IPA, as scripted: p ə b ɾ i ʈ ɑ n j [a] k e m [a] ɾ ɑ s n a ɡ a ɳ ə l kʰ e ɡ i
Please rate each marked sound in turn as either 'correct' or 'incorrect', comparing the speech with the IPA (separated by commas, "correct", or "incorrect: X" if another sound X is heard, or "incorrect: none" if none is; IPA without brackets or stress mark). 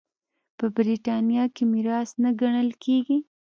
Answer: incorrect: ɑ, incorrect: i